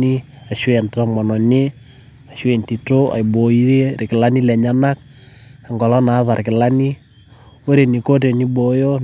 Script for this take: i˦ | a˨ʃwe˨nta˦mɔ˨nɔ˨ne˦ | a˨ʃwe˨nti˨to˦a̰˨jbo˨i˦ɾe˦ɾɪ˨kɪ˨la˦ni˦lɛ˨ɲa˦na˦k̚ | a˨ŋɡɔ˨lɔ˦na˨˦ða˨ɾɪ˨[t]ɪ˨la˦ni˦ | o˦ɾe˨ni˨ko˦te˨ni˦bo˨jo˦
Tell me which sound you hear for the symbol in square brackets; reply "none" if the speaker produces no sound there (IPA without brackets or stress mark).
k